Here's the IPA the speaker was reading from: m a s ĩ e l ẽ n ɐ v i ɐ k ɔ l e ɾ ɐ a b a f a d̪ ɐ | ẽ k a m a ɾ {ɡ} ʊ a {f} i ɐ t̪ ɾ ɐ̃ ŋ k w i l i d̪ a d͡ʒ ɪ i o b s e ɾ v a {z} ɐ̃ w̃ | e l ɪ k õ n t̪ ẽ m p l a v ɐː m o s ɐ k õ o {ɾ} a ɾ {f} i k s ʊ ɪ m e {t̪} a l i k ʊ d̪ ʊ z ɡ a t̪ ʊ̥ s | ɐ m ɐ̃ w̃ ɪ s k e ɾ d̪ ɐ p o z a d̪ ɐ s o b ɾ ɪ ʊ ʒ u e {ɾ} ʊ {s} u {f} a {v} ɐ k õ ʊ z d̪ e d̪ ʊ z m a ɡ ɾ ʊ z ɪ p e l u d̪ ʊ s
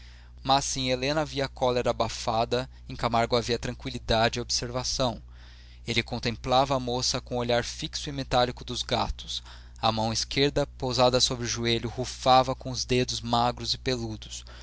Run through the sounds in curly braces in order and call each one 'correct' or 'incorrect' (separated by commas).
correct, incorrect, incorrect, incorrect, correct, correct, incorrect, incorrect, correct, correct